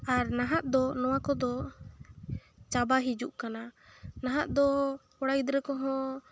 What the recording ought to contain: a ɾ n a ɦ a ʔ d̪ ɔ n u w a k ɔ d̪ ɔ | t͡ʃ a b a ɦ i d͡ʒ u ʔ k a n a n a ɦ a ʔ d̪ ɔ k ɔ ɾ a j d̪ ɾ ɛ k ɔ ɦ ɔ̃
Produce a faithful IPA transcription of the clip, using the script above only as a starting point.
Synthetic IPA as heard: a ɾ n a ɦ a ʔ d̪ ɔ n ɔ w a k ɔ d̪ ɔ | t͡ʃ a b a ɦ i d͡ʒ u ʔ k a n a n a ɦ a ʔ d̪ ɔ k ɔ ɽ a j d̪ ɾ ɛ k ɔ ɦ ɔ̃